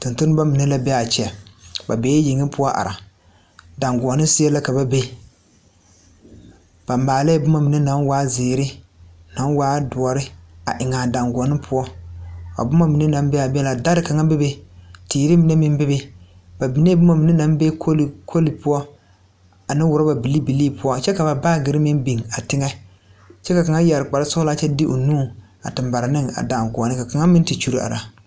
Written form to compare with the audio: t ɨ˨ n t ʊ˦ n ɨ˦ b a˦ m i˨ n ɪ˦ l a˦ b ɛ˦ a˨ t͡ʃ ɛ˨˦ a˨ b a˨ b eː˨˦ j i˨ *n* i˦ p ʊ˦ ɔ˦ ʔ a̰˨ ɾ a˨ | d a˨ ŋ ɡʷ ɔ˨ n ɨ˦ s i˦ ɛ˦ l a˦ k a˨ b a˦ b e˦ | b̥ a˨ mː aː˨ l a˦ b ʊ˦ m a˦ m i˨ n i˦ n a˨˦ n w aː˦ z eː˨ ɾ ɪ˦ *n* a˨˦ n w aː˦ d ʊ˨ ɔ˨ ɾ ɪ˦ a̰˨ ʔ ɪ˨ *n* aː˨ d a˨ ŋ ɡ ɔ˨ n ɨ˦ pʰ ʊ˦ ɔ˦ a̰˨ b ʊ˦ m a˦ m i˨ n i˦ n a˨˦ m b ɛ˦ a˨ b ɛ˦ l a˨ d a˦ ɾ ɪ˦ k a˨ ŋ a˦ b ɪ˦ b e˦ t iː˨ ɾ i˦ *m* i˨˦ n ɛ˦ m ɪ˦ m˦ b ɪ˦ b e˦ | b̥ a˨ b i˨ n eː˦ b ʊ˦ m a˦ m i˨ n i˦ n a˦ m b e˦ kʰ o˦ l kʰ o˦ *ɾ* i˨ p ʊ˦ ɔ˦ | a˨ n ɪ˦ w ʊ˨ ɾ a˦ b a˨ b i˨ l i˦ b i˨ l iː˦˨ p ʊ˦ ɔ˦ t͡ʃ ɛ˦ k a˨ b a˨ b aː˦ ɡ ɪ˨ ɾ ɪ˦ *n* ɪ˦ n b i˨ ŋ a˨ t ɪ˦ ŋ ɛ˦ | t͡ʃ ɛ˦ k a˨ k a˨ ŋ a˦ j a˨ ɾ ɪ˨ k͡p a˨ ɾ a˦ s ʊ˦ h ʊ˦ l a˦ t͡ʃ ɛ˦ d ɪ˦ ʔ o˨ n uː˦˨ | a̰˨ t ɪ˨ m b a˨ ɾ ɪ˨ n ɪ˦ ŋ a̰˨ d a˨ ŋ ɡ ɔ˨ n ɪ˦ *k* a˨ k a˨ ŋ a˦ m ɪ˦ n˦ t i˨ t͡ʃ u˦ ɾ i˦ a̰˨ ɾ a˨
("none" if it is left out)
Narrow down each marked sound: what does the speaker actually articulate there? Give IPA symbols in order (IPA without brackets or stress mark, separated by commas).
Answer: ŋ, n, ŋ, m, l, m, k